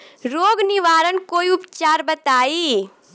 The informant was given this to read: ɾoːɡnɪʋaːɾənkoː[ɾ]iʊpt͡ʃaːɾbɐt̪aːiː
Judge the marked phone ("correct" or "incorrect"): incorrect